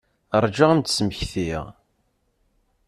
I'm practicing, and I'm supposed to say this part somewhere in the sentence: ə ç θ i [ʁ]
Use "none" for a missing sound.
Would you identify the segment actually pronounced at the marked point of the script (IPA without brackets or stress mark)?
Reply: ʁ